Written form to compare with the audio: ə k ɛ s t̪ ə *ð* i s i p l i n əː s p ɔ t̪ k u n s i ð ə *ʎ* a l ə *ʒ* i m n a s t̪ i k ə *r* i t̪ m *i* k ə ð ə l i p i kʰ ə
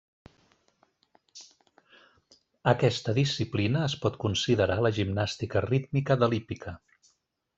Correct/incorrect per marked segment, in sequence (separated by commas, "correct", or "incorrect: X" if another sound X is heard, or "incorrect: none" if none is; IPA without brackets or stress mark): correct, incorrect: ɾ, correct, correct, correct